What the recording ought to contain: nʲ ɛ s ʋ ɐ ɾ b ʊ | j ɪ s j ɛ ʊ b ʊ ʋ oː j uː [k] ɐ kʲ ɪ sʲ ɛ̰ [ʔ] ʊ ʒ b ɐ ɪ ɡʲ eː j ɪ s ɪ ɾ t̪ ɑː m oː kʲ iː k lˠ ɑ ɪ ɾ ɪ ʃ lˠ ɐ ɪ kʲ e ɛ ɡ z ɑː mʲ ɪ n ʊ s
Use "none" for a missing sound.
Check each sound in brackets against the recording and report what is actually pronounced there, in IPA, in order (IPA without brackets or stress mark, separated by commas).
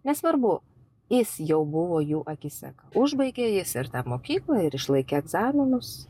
ʔ, k